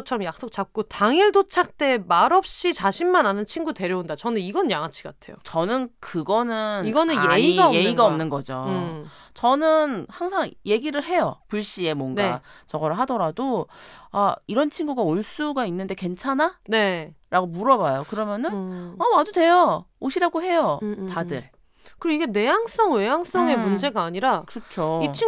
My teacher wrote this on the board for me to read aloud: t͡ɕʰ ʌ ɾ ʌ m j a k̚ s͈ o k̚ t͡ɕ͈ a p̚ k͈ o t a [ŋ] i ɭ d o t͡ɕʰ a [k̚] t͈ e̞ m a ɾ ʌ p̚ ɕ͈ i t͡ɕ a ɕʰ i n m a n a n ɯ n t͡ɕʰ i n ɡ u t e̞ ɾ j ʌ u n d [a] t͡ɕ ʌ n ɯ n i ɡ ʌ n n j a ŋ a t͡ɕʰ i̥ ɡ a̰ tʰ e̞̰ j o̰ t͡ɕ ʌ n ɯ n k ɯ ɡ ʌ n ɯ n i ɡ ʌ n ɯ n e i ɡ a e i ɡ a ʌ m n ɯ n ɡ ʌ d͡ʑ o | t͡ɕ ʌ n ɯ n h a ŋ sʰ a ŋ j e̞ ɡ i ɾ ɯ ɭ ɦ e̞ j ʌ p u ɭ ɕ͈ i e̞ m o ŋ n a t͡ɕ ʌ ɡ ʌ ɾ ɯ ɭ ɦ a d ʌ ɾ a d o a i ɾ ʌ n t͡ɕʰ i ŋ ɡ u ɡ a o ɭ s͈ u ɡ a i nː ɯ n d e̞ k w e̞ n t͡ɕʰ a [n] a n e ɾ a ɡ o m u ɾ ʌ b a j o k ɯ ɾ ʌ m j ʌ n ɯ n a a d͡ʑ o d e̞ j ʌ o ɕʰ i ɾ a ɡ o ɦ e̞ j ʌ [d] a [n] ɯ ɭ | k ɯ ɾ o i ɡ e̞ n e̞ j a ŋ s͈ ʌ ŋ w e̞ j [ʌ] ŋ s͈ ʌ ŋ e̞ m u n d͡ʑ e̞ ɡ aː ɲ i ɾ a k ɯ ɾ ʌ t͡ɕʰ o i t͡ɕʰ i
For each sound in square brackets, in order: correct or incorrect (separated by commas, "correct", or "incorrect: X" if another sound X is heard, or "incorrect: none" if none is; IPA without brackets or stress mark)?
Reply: correct, correct, correct, correct, incorrect: t, incorrect: d, incorrect: a